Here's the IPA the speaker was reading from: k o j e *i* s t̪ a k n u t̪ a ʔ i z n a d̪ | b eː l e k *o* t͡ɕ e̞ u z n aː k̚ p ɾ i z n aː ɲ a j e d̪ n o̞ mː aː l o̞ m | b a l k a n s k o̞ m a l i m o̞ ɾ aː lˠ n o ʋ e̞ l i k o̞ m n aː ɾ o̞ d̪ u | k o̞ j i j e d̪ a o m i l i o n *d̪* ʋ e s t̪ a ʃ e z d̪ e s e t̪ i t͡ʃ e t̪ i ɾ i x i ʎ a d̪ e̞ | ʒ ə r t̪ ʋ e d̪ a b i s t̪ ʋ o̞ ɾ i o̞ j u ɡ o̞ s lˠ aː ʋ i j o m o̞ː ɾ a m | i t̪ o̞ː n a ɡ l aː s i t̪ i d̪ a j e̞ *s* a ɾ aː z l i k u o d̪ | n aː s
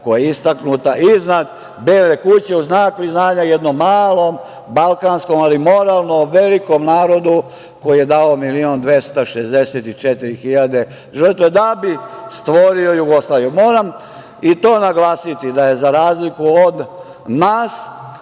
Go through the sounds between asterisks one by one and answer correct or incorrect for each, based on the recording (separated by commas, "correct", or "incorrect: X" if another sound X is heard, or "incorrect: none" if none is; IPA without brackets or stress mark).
correct, incorrect: u, correct, incorrect: z